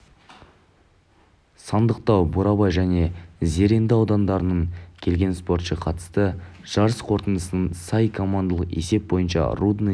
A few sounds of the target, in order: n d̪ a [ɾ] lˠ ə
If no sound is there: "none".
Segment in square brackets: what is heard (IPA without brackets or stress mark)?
none